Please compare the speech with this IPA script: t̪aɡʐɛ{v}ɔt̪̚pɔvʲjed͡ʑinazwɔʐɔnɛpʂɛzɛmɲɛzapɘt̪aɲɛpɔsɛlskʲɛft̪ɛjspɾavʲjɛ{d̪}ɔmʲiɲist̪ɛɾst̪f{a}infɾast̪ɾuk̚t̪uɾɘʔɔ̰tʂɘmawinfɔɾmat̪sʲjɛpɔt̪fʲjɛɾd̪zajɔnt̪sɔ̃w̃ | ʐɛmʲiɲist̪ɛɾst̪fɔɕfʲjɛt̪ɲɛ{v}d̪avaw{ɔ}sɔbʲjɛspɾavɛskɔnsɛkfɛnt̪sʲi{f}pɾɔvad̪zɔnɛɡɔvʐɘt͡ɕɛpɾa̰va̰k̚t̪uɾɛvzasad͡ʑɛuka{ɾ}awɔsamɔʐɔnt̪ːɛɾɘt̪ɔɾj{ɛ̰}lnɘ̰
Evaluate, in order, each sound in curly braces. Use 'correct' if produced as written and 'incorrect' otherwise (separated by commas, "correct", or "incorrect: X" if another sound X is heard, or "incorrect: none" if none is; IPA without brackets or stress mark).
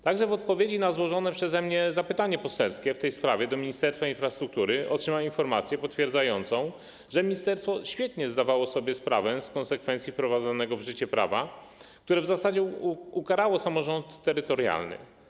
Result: correct, correct, correct, incorrect: z, correct, correct, correct, incorrect: a̰